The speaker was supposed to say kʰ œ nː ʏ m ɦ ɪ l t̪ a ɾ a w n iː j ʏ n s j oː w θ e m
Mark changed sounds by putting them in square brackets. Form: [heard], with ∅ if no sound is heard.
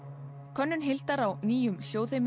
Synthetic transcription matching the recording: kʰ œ nː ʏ [n] ɦ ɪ l t̪ a ɾ a w n iː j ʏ [m] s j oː w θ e m